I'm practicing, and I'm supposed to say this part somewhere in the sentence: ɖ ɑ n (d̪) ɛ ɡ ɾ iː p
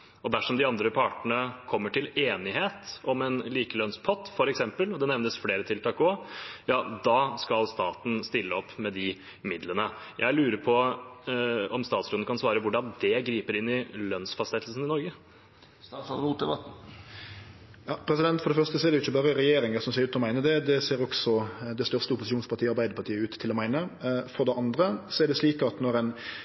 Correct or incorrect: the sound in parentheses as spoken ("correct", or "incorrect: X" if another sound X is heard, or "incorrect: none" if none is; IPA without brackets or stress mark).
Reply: correct